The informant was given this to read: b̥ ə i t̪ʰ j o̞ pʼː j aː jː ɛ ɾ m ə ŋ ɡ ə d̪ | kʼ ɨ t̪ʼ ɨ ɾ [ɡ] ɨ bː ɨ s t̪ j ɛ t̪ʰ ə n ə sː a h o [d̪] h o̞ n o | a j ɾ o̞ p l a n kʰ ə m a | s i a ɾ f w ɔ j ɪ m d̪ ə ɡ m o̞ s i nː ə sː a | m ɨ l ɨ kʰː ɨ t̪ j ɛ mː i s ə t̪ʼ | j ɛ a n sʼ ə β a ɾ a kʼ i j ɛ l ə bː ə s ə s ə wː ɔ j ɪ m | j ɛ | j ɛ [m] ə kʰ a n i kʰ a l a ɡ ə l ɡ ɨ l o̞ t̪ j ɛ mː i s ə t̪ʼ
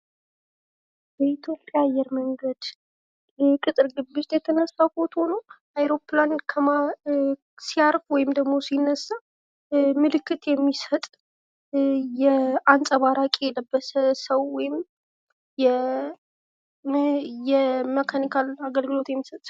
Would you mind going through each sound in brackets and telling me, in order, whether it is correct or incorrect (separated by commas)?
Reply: correct, incorrect, correct